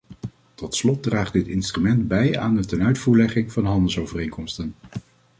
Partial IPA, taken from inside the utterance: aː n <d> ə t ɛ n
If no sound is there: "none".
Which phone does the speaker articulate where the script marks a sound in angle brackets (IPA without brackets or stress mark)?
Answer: d